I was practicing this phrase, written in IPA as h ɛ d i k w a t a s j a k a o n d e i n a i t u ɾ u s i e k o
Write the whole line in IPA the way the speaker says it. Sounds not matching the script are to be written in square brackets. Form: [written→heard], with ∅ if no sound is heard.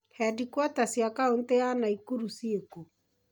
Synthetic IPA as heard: h ɛ d i k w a t a s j a k a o n [d→t] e [i→a] n a i [t→k] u ɾ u s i e k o